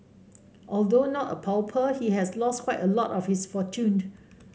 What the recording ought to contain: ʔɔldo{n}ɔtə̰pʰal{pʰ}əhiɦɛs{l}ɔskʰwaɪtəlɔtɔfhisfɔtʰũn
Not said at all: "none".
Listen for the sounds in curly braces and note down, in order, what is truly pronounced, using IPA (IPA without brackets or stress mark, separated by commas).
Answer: n, pʰ, l